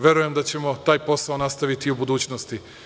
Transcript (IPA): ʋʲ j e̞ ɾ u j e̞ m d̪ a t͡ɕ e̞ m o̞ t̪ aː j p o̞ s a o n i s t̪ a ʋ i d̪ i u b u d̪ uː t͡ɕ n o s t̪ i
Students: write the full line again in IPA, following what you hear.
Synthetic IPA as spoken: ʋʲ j e̞ ɾ u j e̞ m d̪ a t͡ɕ e̞ m o̞ t̪ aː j p o̞ s a o n a s t̪ a ʋ i t̪ i u b u d̪ uː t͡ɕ n o s t̪ i